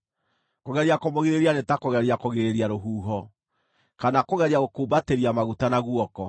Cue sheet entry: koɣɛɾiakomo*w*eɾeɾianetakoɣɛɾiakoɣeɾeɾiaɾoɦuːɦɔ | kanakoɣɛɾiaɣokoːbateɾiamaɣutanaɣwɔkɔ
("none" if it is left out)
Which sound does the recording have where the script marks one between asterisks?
ɣ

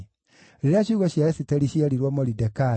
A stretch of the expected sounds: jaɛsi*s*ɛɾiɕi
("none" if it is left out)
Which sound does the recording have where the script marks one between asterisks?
t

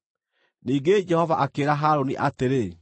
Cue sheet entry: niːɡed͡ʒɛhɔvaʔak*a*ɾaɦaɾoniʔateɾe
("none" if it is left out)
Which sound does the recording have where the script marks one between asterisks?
e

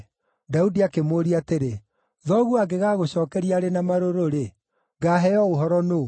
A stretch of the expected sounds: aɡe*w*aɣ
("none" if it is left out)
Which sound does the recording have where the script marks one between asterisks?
ɣ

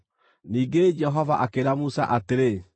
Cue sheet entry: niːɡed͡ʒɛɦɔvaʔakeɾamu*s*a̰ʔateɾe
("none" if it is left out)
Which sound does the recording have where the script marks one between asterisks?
s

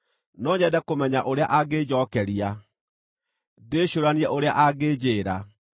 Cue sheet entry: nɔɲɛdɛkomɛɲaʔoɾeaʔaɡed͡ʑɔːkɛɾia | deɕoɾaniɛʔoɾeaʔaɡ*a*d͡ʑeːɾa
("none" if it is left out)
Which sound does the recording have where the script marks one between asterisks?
e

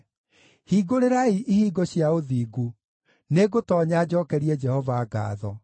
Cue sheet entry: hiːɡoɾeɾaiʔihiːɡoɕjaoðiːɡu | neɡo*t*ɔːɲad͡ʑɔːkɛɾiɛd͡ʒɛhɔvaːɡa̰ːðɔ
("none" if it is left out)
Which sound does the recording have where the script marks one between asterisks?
t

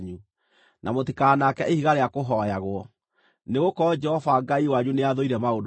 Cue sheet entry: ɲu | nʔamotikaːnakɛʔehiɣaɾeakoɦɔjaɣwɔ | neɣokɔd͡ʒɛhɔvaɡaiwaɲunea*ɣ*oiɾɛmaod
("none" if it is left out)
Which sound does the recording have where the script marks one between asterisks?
ð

